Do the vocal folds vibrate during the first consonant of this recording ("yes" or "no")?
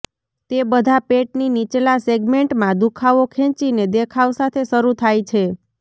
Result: no